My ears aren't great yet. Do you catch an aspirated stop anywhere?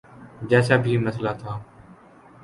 yes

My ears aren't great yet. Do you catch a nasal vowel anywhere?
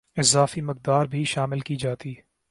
no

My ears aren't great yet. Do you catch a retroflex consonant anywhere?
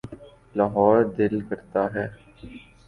no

